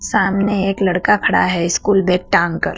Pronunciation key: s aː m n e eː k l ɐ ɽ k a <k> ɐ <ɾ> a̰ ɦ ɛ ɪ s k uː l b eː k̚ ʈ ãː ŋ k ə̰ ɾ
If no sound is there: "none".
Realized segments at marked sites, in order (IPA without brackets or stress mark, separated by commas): kʰ, ɽ